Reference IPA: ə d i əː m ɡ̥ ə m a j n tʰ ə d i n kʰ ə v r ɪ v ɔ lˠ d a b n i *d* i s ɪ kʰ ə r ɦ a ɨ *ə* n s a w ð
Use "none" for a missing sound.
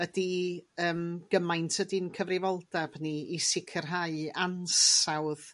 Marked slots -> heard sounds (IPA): none, a

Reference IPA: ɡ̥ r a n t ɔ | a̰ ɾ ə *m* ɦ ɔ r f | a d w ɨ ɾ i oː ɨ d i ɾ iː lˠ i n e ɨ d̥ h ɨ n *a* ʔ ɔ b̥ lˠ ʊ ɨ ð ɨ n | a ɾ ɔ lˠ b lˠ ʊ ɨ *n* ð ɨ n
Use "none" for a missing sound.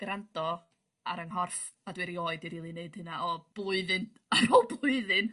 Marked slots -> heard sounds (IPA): ŋ, a, none

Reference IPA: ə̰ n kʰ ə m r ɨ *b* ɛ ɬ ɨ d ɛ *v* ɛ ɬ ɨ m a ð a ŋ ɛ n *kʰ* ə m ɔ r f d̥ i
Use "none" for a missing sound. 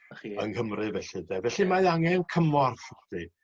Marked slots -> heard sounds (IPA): v, v, kʰ

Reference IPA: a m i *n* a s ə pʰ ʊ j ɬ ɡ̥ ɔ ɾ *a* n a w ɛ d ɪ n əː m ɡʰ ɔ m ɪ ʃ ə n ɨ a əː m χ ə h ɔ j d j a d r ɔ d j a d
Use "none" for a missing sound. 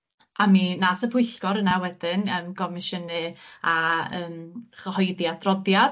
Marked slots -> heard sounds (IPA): n, ə

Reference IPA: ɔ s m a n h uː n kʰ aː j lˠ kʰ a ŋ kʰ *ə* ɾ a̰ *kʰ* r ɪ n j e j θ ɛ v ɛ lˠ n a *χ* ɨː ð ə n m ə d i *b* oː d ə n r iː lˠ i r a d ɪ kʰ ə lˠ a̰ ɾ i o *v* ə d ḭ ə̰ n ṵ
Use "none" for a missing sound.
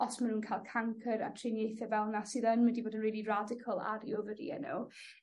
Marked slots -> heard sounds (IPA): ə, tʰ, s, b, v

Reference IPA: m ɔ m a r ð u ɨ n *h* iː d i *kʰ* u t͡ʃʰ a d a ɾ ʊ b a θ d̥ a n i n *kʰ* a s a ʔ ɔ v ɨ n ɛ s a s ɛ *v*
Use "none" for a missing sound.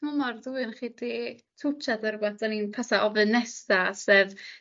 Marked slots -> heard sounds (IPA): χ, tʰ, pʰ, v

